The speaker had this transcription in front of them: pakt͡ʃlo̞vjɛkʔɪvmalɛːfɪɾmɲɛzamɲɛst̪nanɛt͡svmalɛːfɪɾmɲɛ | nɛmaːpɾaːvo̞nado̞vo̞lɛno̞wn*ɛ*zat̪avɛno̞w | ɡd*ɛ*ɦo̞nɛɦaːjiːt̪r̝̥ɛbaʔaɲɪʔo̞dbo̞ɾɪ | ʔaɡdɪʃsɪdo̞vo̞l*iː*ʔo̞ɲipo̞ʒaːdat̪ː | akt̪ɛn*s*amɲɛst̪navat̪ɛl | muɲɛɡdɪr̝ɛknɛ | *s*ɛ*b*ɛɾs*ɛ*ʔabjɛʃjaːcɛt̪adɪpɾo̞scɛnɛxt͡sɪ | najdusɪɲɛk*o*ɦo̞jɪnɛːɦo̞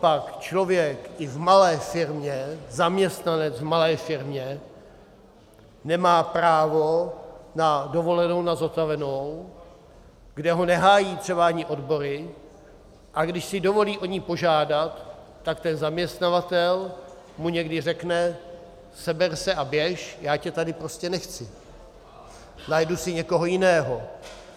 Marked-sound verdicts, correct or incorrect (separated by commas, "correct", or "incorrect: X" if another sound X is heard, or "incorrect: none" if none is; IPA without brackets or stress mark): incorrect: a, correct, correct, incorrect: z, correct, correct, correct, correct